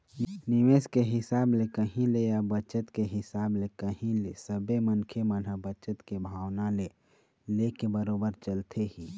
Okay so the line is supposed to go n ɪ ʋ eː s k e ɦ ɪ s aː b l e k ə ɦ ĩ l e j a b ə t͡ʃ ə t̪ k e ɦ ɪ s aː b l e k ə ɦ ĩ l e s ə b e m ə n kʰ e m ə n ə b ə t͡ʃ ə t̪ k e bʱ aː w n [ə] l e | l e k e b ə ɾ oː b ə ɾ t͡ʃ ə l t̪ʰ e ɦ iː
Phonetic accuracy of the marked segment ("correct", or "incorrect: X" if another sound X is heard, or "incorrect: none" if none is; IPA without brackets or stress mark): incorrect: a